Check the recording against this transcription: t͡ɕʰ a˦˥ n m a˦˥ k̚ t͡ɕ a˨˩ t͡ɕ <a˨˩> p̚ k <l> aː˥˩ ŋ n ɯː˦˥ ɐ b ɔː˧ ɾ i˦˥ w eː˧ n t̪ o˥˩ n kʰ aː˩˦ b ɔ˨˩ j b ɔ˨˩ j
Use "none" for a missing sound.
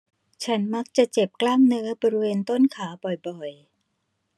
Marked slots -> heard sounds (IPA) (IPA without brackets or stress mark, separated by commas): e˨˩, l